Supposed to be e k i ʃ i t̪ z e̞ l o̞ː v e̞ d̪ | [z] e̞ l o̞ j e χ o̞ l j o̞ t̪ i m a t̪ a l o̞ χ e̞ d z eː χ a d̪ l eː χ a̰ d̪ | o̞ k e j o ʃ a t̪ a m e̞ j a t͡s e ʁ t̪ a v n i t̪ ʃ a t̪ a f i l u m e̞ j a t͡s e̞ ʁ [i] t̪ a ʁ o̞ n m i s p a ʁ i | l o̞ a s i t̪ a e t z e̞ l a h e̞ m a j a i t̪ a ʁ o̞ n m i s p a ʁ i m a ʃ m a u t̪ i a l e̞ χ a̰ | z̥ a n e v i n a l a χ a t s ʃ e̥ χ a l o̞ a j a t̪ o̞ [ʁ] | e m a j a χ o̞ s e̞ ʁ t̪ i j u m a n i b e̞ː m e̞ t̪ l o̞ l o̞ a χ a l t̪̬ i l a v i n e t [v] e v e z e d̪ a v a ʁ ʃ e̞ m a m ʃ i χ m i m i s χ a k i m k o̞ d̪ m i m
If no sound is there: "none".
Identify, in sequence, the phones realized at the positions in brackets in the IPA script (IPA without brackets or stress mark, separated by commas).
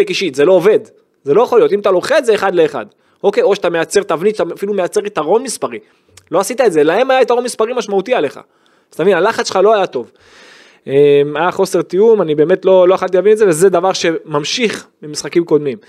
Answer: z, i, v, z